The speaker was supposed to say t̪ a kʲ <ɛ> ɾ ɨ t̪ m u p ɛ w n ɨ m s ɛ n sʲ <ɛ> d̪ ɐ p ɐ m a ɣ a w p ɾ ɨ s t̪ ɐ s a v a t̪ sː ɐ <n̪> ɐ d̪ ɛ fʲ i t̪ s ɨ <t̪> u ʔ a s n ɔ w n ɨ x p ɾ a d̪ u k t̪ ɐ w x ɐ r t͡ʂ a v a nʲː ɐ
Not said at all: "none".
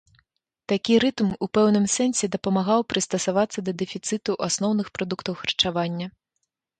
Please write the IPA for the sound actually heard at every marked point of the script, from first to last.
i, ɛ, d̪, t̪

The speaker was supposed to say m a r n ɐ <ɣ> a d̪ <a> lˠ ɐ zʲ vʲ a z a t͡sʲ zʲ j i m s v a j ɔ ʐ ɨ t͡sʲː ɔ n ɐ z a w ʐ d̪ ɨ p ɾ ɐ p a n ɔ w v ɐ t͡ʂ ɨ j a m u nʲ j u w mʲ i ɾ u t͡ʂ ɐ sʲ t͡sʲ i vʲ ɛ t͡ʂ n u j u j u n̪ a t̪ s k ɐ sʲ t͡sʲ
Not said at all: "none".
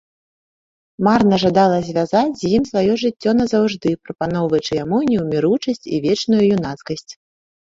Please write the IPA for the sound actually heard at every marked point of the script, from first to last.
ʐ, a

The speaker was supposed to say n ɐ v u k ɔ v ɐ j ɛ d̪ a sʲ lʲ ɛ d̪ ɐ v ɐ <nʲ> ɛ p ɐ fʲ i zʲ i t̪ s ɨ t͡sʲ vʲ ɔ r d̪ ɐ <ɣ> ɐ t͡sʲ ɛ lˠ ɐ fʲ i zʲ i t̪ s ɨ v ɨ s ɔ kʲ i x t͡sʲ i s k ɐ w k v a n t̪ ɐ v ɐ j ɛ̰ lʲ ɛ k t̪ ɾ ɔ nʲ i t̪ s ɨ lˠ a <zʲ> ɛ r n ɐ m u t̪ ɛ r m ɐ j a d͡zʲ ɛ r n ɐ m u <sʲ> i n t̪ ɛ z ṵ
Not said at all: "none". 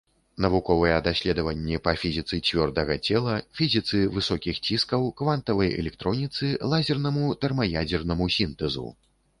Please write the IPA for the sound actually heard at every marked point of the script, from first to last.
nʲː, ɣ, zʲ, sʲ

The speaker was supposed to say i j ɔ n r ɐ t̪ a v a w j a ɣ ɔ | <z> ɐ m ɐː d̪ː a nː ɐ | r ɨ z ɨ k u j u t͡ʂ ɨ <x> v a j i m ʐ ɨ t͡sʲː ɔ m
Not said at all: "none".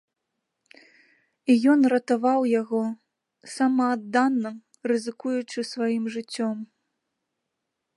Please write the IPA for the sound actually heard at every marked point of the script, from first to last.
s, s

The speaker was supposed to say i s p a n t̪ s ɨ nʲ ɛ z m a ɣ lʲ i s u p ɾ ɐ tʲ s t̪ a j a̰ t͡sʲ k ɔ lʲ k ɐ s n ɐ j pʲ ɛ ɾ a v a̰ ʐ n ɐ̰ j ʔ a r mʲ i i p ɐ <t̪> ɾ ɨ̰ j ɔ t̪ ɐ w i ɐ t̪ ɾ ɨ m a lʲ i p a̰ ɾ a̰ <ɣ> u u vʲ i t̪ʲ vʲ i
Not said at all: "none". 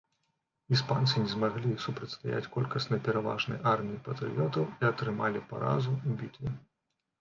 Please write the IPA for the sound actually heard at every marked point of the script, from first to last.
t̪, z

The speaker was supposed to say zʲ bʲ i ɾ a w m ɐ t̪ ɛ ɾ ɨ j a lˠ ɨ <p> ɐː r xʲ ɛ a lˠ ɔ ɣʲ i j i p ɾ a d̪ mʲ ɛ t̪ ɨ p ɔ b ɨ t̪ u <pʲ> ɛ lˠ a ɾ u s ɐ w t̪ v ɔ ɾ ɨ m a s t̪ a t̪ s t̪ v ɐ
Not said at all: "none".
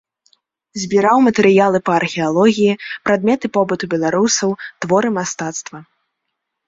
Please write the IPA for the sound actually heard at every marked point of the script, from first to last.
p, bʲ

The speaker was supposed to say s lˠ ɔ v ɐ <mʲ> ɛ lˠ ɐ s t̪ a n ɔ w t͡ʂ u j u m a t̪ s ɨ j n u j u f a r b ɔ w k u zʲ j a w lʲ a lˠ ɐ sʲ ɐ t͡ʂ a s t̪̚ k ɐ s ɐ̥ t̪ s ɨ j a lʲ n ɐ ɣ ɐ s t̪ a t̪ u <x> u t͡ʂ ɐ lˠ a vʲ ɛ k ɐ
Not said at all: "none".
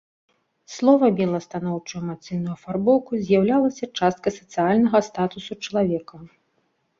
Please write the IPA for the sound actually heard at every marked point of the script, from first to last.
bʲ, s

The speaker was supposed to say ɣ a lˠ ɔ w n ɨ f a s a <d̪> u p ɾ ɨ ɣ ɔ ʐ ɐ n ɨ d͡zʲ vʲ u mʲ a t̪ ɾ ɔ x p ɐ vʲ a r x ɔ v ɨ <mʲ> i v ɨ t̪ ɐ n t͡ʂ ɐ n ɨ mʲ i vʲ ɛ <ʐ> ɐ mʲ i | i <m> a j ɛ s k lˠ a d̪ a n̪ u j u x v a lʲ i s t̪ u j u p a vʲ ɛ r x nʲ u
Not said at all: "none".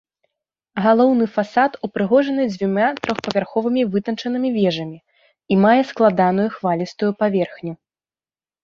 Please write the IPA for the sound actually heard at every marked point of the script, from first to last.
t̪, mʲ, ʐ, m

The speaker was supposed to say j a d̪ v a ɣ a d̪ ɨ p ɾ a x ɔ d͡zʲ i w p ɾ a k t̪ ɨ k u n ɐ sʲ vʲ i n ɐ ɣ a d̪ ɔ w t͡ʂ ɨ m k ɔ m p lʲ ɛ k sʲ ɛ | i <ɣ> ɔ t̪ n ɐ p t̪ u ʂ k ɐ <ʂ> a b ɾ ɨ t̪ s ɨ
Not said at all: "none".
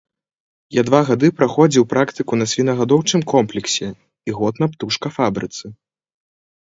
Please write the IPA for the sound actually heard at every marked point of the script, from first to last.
ɣ, f

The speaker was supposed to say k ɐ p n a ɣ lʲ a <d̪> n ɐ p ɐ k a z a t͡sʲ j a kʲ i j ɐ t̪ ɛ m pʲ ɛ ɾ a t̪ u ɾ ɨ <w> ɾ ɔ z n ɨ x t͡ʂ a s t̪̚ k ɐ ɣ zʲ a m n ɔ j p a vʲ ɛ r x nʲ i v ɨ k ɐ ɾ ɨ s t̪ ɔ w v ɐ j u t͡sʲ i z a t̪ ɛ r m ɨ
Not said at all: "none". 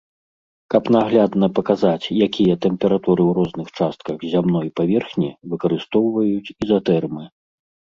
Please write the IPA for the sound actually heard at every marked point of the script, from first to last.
d̪, w

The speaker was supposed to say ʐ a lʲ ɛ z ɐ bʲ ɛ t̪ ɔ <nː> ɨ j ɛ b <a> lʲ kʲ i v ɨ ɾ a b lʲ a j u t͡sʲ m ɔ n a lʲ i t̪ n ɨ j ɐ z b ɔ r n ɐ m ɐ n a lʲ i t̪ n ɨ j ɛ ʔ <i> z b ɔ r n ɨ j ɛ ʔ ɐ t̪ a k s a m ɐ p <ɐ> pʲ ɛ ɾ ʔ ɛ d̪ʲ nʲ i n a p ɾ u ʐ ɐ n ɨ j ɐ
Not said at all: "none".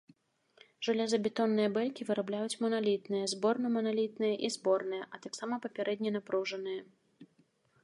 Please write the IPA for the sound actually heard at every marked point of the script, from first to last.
nː, ɛ, i, ɐ

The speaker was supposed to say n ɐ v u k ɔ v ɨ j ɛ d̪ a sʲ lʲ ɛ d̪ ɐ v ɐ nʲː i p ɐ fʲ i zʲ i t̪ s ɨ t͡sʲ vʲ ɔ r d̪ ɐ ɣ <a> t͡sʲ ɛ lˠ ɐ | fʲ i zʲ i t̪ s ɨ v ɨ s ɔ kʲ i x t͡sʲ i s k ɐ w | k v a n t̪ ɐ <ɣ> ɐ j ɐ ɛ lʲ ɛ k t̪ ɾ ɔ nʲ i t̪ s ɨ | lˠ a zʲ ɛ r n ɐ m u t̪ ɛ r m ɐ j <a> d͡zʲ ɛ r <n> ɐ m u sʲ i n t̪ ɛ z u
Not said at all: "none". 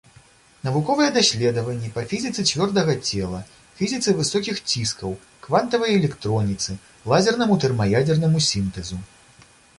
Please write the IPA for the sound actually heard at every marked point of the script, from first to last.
ɐ, v, a, n

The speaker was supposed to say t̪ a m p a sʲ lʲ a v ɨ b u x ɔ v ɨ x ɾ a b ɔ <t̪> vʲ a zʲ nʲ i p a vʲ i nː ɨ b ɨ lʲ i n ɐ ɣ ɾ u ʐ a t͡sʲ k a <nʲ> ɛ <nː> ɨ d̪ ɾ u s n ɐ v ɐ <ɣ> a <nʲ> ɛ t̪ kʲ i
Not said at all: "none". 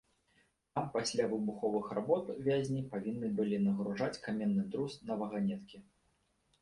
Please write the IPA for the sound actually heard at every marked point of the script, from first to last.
t̪, mʲ, nː, ɣ, nʲ

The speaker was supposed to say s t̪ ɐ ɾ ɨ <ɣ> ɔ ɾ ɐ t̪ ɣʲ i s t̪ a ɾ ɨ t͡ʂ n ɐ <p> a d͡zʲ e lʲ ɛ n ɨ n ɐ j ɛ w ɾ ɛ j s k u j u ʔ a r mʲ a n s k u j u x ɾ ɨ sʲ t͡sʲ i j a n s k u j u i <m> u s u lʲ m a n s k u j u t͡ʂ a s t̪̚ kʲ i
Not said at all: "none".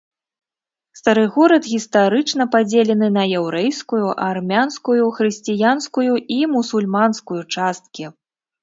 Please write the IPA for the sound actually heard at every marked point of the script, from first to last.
ɣ, p, m

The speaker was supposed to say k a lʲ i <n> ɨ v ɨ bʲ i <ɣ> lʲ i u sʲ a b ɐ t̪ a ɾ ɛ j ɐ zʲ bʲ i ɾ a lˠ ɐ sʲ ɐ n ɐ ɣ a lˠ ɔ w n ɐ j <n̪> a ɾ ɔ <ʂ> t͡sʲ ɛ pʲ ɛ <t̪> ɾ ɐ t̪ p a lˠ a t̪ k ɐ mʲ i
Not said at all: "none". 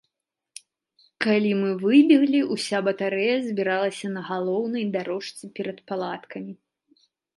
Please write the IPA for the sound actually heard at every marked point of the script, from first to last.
m, ɣ, d̪, ʂ, none

